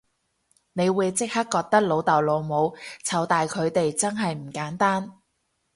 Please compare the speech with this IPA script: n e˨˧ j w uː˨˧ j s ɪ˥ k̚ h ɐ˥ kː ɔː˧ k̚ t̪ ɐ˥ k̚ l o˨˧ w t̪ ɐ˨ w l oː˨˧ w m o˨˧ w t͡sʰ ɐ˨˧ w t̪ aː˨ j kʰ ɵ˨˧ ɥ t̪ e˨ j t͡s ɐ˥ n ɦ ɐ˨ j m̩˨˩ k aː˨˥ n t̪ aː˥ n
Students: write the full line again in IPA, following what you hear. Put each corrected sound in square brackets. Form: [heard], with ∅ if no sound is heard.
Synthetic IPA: n e˨˧ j w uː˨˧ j [t͡s] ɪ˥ k̚ h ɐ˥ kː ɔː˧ k̚ t̪ ɐ˥ k̚ l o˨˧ w t̪ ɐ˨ w l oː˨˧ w m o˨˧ w t͡sʰ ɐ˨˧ w t̪ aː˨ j kʰ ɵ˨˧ ɥ t̪ e˨ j t͡s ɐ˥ n ɦ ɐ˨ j m̩˨˩ k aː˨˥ n t̪ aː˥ n